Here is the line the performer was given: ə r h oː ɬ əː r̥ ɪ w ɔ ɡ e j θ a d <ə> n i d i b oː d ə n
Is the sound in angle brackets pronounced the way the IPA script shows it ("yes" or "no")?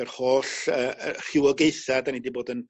no